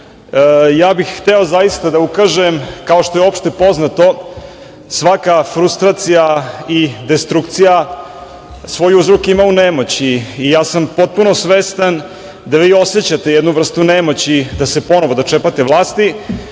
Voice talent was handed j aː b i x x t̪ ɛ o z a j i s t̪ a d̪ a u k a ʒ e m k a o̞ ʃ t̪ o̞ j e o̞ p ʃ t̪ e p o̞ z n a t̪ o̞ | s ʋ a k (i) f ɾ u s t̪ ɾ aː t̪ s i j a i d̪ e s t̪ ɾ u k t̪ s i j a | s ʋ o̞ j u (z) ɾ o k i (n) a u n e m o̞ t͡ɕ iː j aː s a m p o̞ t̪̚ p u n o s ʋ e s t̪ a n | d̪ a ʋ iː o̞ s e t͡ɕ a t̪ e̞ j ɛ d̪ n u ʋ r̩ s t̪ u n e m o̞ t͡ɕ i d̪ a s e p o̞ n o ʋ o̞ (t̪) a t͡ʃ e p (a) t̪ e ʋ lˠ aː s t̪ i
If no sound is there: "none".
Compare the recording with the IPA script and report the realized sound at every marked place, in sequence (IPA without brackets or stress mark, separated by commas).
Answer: a, z, m, d̪, a